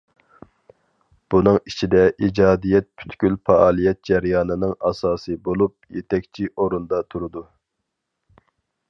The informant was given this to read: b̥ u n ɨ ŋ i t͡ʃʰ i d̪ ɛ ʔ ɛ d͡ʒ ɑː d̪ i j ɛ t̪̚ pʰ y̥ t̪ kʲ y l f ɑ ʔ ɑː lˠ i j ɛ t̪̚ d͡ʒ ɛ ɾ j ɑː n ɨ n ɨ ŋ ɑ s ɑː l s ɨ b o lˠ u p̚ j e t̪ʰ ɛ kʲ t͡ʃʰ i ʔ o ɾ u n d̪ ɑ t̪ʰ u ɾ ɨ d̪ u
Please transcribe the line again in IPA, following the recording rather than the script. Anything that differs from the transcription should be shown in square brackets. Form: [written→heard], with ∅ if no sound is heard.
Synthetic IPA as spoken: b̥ u n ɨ ŋ i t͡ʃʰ i d̪ ɛ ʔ [ɛ→i] d͡ʒ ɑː d̪ i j ɛ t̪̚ pʰ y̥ t̪ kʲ y l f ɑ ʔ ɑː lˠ i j ɛ t̪̚ d͡ʒ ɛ ɾ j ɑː n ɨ n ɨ ŋ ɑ s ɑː [l→∅] s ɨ b o lˠ u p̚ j e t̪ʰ ɛ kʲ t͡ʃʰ i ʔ o ɾ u n d̪ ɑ t̪ʰ u ɾ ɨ d̪ u